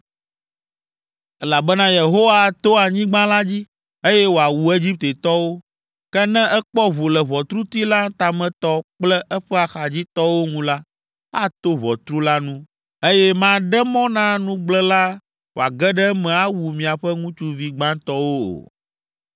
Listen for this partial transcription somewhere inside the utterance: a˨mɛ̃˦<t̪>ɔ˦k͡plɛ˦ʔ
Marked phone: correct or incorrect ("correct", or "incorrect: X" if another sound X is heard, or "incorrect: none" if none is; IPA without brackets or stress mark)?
correct